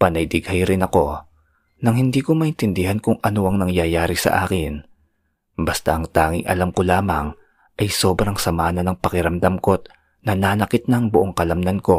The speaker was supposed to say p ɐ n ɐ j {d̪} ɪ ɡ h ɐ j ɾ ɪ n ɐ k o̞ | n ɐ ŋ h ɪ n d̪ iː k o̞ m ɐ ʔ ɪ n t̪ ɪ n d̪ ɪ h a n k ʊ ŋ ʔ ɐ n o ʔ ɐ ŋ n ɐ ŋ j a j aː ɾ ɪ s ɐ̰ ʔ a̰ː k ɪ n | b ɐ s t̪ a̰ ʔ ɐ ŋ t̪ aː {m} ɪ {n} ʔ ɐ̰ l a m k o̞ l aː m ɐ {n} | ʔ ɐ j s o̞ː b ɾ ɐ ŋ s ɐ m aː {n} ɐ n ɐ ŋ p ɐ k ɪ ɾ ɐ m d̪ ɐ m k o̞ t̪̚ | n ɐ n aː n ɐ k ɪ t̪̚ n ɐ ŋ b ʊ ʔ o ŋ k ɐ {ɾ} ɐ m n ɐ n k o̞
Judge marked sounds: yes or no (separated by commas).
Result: yes, no, no, no, yes, no